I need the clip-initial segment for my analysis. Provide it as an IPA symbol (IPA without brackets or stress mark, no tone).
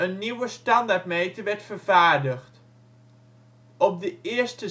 ə